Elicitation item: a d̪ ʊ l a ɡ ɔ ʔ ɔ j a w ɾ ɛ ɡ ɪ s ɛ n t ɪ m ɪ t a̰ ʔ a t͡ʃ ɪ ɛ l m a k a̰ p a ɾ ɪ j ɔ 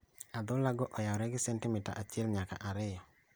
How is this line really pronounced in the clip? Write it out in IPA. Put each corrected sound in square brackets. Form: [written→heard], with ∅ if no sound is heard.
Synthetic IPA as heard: a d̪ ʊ l a ɡ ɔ ʔ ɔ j a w ɾ ɛ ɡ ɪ s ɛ n t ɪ m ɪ t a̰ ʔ a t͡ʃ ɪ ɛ l [m→ɲ] a k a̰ [p→ʔ] a ɾ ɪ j ɔ